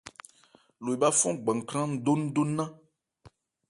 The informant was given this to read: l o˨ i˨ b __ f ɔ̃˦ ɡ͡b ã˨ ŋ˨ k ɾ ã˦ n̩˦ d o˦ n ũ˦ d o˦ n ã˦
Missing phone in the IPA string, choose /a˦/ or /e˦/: a˦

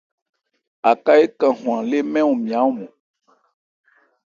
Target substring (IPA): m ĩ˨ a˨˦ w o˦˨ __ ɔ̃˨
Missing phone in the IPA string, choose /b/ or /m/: m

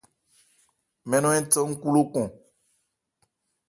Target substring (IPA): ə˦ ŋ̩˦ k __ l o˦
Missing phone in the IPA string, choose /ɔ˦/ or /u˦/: u˦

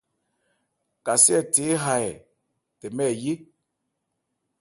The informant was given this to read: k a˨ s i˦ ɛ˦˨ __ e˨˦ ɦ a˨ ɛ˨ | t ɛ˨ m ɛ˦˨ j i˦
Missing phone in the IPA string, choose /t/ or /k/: t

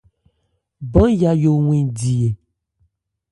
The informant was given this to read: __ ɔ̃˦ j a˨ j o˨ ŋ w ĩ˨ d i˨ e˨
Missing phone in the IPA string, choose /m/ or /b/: b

